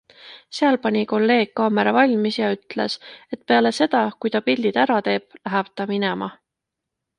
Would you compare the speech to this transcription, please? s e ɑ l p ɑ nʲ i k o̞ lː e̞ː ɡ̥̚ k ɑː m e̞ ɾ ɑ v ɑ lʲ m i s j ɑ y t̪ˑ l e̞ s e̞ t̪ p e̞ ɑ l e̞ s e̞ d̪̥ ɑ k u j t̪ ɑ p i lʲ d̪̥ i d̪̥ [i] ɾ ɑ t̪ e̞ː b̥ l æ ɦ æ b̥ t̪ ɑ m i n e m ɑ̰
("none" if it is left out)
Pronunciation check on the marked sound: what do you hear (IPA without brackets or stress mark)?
æ